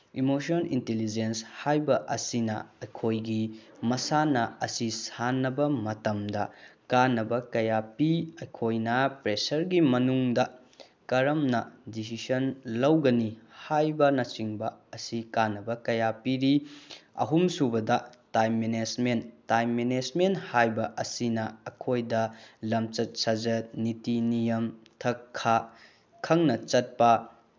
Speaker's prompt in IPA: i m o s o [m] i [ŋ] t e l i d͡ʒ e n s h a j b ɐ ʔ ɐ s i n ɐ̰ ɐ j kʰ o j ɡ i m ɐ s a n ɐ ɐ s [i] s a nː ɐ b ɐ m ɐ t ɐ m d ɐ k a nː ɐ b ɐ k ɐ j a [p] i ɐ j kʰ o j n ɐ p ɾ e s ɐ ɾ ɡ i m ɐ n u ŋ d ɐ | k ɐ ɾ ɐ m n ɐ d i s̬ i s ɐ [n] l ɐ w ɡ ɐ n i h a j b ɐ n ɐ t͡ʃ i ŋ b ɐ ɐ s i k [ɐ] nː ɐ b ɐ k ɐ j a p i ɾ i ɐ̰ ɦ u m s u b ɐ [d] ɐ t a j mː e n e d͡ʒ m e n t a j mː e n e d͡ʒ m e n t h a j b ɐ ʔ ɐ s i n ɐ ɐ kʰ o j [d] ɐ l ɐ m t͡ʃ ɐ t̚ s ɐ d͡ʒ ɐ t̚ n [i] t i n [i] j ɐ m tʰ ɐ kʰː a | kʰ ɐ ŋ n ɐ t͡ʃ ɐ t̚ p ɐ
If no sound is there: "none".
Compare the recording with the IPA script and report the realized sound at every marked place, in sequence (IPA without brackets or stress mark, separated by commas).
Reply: n, n, i, p, n, a, d, d, i, i